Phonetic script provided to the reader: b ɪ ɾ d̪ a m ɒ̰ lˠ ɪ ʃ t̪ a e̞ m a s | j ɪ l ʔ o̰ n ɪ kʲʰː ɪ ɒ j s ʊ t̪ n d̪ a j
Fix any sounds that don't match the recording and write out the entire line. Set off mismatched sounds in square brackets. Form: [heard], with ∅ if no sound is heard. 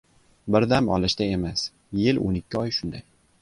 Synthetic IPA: b ɪ ɾ d̪ a m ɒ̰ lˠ ɪ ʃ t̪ a e̞ m a s | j ɪ l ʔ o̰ n ɪ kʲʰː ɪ ɒ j [ʃ] ʊ [∅] n d̪ a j

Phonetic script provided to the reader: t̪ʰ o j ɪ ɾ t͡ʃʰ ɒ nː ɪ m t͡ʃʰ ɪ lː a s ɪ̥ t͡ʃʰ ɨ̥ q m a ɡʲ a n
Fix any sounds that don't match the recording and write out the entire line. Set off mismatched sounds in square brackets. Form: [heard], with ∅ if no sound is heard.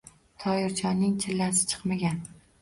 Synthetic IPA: t̪ʰ [ɒ] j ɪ ɾ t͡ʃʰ ɒ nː ɪ [ŋ] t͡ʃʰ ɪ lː a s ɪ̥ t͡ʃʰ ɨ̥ q m a ɡʲ a n

